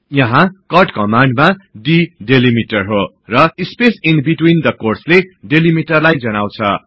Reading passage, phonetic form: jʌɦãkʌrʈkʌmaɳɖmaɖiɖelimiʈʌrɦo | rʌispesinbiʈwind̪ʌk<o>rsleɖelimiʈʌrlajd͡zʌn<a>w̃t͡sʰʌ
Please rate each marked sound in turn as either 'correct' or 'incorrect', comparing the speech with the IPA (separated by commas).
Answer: correct, correct